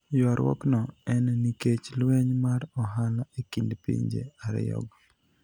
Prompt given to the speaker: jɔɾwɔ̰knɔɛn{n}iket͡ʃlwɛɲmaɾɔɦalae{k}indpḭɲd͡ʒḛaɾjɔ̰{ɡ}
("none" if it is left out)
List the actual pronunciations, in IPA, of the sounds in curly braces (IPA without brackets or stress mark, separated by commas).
n, k, ɡ